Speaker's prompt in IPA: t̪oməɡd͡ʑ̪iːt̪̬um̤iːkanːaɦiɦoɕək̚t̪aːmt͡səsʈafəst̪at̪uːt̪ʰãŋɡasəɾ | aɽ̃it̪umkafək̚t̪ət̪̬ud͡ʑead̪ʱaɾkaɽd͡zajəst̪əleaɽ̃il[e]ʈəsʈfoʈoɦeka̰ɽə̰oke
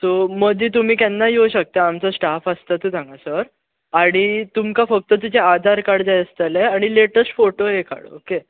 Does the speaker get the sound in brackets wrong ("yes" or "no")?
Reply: no